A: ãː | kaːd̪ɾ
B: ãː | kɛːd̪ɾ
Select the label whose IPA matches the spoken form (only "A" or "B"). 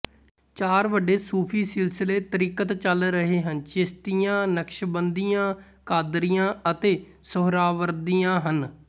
A